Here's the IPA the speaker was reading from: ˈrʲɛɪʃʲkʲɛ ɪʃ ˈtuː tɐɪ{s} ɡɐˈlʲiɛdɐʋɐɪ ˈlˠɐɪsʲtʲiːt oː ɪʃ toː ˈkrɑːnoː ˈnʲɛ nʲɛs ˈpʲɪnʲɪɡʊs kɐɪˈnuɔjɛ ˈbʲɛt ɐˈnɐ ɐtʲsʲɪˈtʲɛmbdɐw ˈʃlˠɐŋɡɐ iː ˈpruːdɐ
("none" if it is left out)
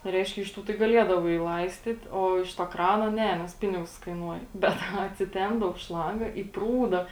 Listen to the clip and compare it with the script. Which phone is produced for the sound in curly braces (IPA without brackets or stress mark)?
none